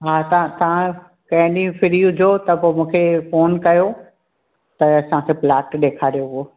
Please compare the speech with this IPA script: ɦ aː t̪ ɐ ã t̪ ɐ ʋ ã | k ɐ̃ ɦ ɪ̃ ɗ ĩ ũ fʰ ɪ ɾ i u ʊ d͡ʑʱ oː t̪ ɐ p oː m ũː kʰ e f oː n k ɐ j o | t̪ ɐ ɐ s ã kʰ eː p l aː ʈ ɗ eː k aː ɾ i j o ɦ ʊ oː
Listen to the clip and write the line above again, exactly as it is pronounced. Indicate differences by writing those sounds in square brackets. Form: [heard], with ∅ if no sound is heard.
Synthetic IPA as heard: ɦ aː t̪ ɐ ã t̪ ɐ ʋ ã | k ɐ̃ ɦ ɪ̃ ɗ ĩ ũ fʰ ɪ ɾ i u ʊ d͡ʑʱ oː t̪ ɐ p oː m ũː kʰ e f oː n k ɐ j o | t̪ ɐ ɐ s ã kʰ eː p l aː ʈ ɗ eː [kʰ] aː ɾ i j o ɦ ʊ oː